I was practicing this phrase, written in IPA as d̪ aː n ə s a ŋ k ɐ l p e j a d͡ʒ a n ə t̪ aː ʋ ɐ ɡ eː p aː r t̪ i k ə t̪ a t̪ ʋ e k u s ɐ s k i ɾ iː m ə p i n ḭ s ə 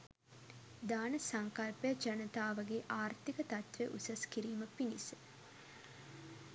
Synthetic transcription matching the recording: d̪ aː n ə s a ŋ k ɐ l p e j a d͡ʒ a n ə t̪ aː ʋ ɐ ɡ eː ʔ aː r t̪ i k ə t̪ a t̪ ʋ e ʔ u s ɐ s k i ɾ iː m ə p i n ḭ s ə